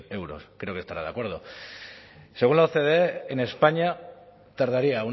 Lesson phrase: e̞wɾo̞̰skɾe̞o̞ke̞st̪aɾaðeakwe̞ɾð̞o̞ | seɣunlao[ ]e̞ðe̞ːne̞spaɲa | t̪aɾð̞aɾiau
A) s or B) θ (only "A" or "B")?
B